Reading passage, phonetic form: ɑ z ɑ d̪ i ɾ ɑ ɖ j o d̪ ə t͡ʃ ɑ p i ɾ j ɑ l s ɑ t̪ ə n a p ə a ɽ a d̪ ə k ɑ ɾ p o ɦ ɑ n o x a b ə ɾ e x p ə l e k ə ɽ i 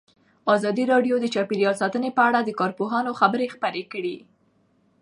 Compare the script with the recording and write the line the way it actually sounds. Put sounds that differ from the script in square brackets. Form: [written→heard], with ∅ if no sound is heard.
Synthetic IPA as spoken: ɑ z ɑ d̪ i ɾ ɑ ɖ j o d̪ ə t͡ʃ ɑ p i ɾ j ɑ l s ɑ t̪ ə n [a→e] p ə a ɽ a d̪ ə k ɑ ɾ p o ɦ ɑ n o x a b ə ɾ e x p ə [l→ɾ] e k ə ɽ i